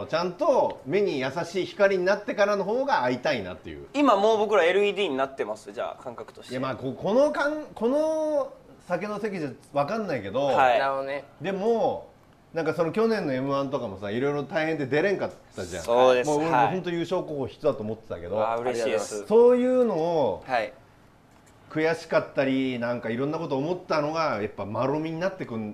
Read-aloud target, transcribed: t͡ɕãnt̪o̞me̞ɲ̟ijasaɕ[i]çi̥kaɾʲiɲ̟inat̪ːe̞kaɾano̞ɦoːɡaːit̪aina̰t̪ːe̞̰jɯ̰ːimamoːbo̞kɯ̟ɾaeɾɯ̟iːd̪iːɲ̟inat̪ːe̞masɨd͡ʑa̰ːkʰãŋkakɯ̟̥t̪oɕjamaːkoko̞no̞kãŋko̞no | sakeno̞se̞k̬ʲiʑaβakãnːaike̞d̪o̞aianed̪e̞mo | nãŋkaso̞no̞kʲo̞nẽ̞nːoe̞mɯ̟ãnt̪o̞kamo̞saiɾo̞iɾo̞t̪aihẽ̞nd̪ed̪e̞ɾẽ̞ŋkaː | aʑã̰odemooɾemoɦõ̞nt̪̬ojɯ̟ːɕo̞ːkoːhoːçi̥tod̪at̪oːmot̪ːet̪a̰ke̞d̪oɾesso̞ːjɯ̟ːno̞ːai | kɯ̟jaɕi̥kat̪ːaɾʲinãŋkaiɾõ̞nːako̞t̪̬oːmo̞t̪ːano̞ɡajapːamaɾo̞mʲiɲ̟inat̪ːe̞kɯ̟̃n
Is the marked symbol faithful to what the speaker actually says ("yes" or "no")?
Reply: no